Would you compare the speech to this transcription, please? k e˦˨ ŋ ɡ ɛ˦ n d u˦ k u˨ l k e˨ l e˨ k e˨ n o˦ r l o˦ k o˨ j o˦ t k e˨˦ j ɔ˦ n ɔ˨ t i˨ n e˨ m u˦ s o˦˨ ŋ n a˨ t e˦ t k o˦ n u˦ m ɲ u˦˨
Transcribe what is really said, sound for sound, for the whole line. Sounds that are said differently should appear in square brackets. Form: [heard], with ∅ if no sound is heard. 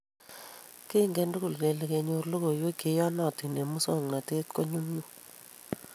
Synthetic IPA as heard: k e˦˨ ŋ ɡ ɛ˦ n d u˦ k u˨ l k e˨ l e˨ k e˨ [ɲ] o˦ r l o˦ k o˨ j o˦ [∅] k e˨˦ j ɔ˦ n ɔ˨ t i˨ n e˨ m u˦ s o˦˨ ŋ n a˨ t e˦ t k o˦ [ɲ] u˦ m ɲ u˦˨